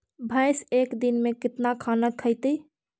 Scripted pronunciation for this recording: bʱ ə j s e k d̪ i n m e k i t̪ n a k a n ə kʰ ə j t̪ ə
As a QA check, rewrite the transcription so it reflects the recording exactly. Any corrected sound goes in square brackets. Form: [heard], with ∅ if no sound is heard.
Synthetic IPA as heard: bʱ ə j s e k d̪ i n m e k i t̪ n a [kʰ] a n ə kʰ ə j t̪ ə